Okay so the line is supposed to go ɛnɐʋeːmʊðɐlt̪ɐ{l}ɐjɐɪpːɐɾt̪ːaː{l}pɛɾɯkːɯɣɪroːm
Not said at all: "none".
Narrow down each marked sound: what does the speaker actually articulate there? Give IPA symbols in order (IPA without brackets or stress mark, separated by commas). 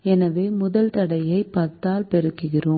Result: ɽ, l